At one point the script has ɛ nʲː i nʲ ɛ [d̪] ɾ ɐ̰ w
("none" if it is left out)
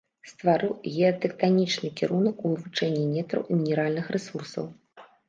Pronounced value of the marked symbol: t̪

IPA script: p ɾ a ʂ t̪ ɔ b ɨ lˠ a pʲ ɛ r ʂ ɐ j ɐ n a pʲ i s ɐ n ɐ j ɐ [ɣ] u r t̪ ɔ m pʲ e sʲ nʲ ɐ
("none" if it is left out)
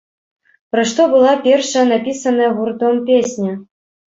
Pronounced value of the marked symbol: ɣ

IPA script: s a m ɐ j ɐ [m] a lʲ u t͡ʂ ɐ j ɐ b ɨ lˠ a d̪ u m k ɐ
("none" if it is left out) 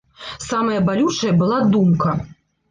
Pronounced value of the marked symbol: b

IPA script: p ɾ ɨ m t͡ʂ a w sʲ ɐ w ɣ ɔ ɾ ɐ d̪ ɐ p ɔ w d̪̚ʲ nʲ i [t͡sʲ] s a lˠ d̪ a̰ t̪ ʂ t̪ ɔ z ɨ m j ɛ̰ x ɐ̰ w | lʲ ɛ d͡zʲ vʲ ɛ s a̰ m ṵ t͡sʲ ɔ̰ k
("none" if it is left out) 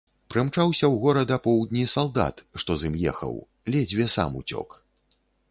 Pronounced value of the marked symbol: none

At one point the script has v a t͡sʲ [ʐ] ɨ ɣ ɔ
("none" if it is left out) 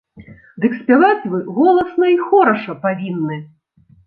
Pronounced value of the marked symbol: v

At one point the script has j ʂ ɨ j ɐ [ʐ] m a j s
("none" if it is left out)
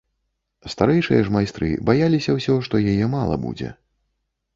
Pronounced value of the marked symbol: ʐ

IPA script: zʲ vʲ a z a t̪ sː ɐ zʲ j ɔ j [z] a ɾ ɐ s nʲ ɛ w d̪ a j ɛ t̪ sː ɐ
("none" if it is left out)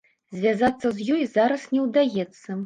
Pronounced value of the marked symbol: z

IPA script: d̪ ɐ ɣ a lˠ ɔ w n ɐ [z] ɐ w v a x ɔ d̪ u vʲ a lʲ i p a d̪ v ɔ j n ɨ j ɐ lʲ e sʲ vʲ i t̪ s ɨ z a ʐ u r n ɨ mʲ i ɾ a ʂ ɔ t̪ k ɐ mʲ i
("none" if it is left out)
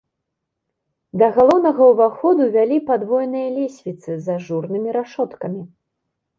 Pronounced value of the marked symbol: ɣ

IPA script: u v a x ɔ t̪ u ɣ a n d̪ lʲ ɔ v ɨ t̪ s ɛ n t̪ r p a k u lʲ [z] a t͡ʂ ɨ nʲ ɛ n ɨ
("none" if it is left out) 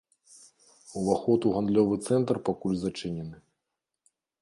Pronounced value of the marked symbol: z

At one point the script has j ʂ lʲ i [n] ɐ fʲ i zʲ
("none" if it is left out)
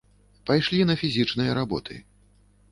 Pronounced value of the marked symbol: n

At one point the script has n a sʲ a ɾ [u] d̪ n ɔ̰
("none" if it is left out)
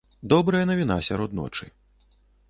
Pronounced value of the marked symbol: ɔ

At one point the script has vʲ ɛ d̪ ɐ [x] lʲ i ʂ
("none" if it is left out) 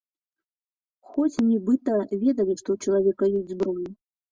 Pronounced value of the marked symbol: none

